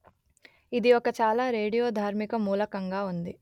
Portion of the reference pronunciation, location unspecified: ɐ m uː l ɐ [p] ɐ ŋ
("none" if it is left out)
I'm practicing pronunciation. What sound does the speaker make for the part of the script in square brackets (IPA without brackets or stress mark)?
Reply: k